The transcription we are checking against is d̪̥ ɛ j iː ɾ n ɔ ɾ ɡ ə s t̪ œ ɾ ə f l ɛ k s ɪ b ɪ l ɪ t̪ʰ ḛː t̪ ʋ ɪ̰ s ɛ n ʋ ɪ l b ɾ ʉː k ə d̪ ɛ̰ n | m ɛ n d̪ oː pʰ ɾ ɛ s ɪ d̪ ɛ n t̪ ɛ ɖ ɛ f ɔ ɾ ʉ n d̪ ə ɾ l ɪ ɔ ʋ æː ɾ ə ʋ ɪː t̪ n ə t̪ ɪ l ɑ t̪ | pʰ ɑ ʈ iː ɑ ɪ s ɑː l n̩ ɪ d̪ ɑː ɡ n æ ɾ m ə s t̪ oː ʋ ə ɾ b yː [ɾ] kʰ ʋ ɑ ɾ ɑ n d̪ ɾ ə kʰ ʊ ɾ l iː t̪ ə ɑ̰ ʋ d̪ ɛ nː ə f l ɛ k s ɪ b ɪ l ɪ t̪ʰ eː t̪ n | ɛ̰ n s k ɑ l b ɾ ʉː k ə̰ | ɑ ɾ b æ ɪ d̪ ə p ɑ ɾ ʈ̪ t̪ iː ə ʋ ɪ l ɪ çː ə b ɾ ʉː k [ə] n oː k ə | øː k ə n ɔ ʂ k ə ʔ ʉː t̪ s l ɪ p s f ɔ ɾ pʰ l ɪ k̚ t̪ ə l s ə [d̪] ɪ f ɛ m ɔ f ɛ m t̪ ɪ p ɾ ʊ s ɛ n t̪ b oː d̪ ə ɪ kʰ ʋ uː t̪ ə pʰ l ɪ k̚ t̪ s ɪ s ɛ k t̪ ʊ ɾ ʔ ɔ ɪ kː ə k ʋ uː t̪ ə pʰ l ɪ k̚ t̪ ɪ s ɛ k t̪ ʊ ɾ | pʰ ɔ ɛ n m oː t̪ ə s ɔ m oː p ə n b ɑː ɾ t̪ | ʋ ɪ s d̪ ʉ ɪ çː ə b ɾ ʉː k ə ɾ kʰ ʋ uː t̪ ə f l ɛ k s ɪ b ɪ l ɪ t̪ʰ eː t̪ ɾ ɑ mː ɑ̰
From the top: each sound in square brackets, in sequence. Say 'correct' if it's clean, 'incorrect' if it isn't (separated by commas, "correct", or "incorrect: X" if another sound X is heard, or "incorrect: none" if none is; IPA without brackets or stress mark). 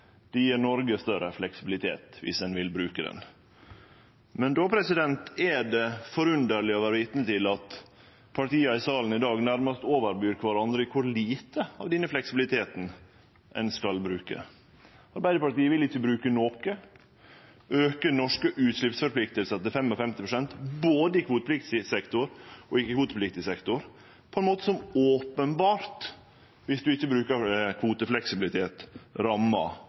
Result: correct, correct, incorrect: t̪